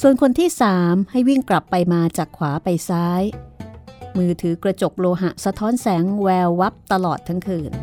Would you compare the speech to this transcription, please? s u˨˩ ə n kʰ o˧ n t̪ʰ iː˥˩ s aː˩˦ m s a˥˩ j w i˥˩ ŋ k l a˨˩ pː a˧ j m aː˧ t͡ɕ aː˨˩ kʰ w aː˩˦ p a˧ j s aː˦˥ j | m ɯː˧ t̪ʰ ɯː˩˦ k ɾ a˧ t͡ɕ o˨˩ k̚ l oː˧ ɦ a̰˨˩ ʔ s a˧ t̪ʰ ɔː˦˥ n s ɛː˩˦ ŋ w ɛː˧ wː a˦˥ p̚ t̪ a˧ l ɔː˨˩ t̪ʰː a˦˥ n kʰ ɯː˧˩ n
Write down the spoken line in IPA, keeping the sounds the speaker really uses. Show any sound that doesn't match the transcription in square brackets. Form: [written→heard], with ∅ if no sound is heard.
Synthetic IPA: s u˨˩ ə n kʰ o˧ n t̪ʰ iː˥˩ s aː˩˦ m [s→h] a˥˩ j w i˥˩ ŋ k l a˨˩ pː a˧ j m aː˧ t͡ɕ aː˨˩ kʰ w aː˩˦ p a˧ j s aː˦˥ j | m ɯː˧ t̪ʰ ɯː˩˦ k ɾ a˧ t͡ɕ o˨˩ k̚ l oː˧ ɦ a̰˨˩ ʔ s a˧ t̪ʰ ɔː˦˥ n s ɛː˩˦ ŋ w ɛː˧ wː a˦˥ p̚ t̪ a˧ l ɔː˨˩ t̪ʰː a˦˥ [n→ŋ] kʰ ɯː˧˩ n